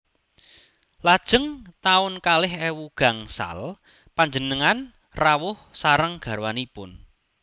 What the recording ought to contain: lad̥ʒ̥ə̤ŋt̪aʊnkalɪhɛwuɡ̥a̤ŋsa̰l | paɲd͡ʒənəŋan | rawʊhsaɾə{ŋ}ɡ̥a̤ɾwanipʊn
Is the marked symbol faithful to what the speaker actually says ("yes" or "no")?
yes